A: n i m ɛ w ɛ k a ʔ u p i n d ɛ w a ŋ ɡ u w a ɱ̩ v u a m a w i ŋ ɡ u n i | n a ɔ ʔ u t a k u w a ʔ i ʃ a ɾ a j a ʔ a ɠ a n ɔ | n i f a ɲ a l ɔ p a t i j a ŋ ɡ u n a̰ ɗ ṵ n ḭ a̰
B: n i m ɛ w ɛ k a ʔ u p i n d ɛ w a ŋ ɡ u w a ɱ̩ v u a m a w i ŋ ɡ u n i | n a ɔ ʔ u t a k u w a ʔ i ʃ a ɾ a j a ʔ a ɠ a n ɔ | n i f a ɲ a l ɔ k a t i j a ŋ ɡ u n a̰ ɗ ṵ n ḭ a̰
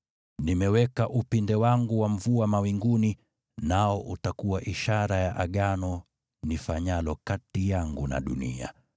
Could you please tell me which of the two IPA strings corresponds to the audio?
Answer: B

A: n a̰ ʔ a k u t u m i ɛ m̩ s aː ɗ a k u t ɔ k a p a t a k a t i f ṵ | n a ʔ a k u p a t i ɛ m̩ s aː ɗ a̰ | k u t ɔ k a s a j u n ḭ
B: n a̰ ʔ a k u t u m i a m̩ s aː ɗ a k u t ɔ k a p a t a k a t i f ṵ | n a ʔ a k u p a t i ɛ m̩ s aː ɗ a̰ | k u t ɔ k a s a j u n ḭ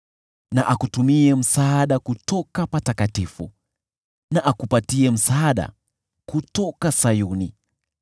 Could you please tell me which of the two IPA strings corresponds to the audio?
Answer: A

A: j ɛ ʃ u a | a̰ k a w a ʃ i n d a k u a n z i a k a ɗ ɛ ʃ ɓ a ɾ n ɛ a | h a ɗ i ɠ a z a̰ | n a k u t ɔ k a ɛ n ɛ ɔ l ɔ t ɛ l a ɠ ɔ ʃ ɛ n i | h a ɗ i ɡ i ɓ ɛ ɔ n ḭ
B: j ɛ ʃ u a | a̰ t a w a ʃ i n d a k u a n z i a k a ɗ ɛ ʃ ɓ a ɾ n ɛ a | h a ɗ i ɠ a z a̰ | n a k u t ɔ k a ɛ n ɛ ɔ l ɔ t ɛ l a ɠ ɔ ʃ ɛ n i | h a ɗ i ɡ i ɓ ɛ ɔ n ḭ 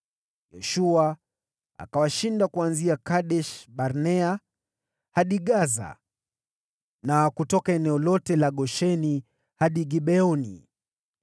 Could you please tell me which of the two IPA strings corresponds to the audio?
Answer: A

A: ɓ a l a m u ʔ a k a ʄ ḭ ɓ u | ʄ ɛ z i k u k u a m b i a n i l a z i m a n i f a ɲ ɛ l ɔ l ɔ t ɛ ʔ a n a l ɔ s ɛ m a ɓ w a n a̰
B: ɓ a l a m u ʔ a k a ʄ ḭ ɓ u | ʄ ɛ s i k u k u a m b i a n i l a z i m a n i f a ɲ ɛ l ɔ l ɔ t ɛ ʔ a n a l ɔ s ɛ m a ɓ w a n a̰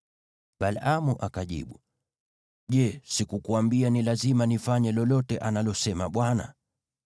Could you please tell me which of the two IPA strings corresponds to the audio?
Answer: B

